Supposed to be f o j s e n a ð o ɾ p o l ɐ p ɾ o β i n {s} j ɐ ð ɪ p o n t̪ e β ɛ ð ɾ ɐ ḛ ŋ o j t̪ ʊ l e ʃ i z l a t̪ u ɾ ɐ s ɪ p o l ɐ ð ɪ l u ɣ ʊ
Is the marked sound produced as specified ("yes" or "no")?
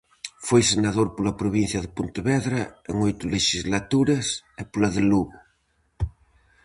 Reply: no